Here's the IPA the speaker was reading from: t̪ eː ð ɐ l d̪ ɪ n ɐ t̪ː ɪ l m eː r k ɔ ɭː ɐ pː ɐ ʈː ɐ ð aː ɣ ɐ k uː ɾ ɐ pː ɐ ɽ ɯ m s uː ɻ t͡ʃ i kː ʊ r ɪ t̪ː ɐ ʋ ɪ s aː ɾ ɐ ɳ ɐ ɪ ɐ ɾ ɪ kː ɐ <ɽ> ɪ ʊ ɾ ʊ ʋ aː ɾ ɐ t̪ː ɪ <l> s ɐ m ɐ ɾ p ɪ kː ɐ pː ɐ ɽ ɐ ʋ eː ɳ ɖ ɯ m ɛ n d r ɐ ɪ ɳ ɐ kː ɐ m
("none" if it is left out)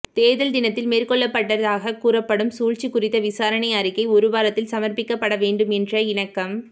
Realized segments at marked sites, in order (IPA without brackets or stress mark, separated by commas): none, l